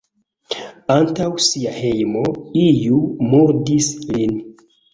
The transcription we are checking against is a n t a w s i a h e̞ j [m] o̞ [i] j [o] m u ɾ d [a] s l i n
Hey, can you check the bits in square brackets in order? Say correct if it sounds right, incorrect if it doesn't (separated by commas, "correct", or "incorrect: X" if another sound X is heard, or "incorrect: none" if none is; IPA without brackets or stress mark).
correct, correct, incorrect: u, incorrect: i